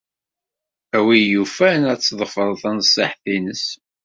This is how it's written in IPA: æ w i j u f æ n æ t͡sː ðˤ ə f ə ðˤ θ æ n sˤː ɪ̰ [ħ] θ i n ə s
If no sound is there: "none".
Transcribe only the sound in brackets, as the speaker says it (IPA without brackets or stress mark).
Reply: ħ